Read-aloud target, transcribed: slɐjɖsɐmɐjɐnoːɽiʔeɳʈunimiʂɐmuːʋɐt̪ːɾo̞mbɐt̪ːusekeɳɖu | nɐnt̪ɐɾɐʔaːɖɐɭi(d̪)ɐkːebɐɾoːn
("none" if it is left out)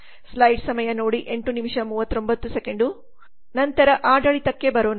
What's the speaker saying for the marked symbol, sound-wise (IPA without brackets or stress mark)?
t̪